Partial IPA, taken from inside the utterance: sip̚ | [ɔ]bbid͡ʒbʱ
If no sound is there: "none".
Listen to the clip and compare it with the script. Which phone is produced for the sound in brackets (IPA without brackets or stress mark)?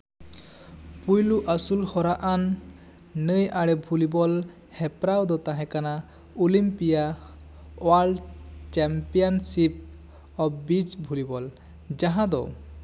ɔ